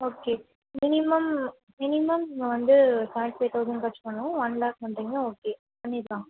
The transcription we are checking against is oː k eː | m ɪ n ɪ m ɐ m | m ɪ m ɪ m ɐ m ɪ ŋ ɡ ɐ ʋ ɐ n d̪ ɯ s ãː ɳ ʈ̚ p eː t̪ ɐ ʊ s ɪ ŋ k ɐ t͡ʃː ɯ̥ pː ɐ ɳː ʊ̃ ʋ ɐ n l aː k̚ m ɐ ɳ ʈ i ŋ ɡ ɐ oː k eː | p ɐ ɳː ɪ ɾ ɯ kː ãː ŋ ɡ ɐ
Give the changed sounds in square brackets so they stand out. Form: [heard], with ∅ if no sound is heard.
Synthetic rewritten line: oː k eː | m ɪ n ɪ m ɐ m | m ɪ [n] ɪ m ɐ m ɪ ŋ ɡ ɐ ʋ ɐ n d̪ ɯ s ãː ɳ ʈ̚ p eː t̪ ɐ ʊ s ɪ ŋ k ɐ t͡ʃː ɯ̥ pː ɐ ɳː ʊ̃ ʋ ɐ n l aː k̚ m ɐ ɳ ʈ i ŋ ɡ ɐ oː k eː | p ɐ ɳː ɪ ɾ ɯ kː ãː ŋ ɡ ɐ